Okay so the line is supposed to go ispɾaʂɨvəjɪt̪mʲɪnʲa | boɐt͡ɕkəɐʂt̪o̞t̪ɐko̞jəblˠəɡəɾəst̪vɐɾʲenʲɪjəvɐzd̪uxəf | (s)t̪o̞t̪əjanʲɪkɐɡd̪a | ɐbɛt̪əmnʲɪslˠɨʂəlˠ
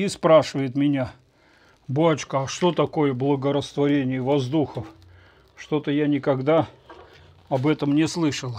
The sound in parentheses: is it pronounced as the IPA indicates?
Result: no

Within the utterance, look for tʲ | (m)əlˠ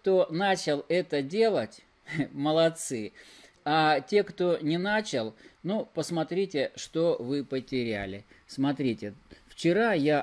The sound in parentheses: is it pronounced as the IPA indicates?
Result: yes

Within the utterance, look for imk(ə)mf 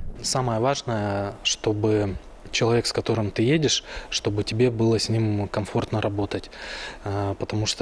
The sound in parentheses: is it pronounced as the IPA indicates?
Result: no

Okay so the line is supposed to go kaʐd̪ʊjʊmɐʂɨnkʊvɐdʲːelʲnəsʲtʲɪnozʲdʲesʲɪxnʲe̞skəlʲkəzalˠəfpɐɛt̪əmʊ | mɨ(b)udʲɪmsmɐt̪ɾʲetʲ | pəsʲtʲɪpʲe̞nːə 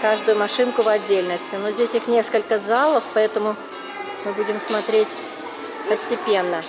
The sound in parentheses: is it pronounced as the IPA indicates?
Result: yes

